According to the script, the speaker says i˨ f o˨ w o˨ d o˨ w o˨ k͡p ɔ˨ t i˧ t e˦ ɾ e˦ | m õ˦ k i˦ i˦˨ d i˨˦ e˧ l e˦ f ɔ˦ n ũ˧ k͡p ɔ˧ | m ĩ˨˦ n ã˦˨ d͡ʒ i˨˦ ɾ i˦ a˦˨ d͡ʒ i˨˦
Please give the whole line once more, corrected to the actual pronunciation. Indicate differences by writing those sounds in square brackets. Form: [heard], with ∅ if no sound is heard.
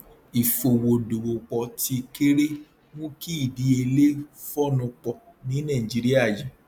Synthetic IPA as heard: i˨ f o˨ w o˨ d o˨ w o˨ k͡p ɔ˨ t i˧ [k] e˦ ɾ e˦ | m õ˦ k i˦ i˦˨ d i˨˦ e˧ l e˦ f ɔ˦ n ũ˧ k͡p ɔ˧ | [n] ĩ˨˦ n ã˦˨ d͡ʒ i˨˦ ɾ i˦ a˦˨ d͡ʒ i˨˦